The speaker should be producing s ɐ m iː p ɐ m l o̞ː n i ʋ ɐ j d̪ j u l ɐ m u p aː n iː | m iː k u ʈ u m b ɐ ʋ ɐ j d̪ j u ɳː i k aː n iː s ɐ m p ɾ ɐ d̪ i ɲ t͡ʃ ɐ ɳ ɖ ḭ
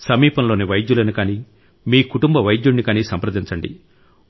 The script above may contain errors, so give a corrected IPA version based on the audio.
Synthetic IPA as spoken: s ɐ m iː p ɐ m l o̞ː n i ʋ ɐ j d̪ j u l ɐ n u k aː n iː | m iː k u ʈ u m b ɐ ʋ ɐ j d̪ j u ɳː i k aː n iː s ɐ m p ɾ ɐ d̪ i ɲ t͡ʃ ɐ ɳ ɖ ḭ

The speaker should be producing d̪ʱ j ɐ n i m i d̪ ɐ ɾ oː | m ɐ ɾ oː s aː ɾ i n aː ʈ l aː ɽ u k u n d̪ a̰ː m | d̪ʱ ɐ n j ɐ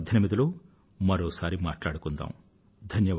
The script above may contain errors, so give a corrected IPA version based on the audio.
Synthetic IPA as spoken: d̪ʱ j ɐ n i m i d̪ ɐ l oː | m ɐ ɾ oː s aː ɾ i m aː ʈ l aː ɽ u k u n d̪ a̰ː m | d̪ʱ ɐ n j ɐ

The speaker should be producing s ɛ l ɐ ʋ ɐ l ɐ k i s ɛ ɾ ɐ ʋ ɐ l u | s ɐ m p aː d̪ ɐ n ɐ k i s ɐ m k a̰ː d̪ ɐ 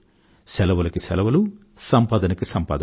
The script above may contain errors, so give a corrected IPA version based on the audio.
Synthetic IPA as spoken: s ɛ l ɐ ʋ ɐ l ɐ k i s ɛ l ɐ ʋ ɐ l u | s ɐ m p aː d̪ ɐ n ɐ k i s ɐ m p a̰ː d̪ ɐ

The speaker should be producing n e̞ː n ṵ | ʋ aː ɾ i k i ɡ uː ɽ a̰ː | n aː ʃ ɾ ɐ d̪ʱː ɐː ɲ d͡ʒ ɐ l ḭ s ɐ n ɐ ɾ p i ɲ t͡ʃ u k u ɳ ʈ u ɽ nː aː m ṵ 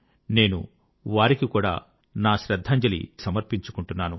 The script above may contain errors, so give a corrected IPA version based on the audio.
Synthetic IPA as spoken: n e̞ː n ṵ | ʋ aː ɾ i k i k uː ɽ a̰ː | n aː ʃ ɾ ɐ d̪ʱː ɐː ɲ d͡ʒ ɐ l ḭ s ɐ m ɐ ɾ p i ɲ t͡ʃ u k u ɳ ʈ u nː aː n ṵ

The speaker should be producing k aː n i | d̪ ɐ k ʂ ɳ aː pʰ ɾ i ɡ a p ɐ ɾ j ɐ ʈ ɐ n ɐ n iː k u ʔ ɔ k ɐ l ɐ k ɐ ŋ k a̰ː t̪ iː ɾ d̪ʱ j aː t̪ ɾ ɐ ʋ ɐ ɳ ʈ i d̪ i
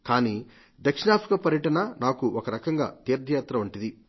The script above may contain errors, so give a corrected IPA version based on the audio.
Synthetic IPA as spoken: k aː n i | d̪ ɐ k ʂ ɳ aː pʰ ɾ i k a p ɐ ɾ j ɐ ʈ ɐ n ɐ n aː k u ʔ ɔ k ɐ ɾ ɐ k ɐ ŋ ɡ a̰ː t̪ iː ɾ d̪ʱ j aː t̪ ɾ ɐ ʋ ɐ ɳ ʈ i d̪ i

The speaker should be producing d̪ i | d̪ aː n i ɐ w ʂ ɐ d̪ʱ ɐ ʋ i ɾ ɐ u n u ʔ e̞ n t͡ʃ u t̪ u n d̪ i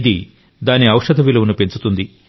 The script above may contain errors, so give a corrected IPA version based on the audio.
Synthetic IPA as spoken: d̪ i | d̪ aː n i ɐ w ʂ ɐ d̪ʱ ɐ ʋ i l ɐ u n u p e̞ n t͡ʃ u t̪ u n d̪ i

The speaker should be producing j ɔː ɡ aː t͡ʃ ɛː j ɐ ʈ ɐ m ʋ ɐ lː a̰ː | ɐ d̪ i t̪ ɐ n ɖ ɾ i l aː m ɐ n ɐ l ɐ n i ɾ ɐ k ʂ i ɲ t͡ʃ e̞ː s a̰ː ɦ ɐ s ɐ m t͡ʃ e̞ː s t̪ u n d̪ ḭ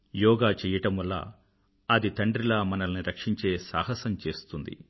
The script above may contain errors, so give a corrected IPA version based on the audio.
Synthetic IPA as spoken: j ɔː ɡ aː t͡ʃ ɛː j ɐ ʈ ɐ m ʋ ɐ lː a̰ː | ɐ d̪ i t̪ ɐ ɳ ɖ ɾ i l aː m ɐ n ɐ l ɐ n i ɾ ɐ k ʂ i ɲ t͡ʃ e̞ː s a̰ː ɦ ɐ s ɐ m t͡ʃ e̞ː s t̪ u n d̪ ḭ

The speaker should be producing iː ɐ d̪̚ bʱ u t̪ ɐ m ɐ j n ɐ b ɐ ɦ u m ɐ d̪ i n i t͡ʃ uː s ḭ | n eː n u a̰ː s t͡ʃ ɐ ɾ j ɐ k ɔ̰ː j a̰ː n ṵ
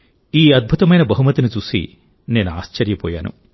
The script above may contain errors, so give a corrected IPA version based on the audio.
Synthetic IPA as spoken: iː ɐ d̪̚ bʱ u t̪ ɐ m ɐ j n ɐ b ɐ ɦ u m ɐ t̪ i n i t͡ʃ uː s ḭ | n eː n u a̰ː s t͡ʃ ɐ ɾ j ɐ p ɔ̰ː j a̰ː n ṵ

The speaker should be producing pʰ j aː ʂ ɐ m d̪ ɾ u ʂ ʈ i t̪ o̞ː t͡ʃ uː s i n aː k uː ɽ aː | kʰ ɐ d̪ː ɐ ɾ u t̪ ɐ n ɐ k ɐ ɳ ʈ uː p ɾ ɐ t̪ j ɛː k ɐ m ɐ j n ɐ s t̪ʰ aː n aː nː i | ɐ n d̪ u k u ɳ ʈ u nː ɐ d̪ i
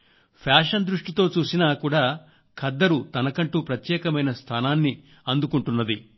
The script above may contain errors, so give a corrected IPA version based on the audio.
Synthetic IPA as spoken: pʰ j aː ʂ ɐ n d̪ ɾ u ʂ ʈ i t̪ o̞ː t͡ʃ uː s i n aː k uː ɽ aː | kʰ ɐ d̪ː ɐ ɾ u t̪ ɐ n ɐ k ɐ ɳ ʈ uː p ɾ ɐ t̪ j ɛː k ɐ m ɐ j n ɐ s t̪ʰ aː n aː nː i | ɐ n d̪ u k u ɳ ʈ u nː ɐ d̪ i

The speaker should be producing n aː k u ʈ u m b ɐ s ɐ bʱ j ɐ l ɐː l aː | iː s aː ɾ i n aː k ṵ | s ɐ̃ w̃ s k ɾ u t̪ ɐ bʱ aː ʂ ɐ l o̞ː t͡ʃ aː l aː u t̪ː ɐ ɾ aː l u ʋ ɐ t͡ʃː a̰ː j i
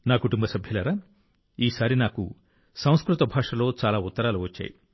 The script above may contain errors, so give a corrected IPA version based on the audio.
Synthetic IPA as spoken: n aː k u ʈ u m b ɐ s ɐ bʱ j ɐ l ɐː ɾ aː | iː s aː ɾ i n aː k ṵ | s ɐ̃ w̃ s k ɾ u t̪ ɐ bʱ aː ʂ ɐ l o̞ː t͡ʃ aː l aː u t̪ː ɐ ɾ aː l u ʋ ɐ t͡ʃː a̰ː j i

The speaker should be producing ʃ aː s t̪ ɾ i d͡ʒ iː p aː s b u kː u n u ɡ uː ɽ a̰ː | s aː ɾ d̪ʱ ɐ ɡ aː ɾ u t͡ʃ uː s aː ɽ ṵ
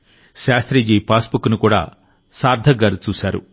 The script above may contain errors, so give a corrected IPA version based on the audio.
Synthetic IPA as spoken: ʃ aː s t̪ ɾ i d͡ʒ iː p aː s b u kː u n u k uː ɽ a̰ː | s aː ɾ d̪ʱ ɐ ɡ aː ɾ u t͡ʃ uː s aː ɾ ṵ

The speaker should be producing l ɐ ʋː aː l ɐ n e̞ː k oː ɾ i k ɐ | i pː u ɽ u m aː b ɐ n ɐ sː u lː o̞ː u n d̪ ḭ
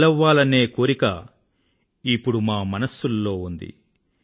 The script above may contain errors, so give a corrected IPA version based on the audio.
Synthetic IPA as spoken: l ɐ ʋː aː l ɐ n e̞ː k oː ɾ i k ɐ | i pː u ɽ u m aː m ɐ n ɐ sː u lː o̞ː u n d̪ ḭ

